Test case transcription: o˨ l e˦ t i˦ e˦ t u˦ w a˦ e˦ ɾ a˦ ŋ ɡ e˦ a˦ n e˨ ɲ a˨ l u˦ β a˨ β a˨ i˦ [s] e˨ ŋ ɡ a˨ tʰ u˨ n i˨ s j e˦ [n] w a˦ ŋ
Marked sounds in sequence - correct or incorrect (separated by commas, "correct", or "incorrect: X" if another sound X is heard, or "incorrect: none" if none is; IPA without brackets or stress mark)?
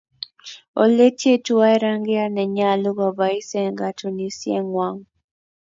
correct, incorrect: ŋ